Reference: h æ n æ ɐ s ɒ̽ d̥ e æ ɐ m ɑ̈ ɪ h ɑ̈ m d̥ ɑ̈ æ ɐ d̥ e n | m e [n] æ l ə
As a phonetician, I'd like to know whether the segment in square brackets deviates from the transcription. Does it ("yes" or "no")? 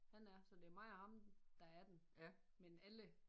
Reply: no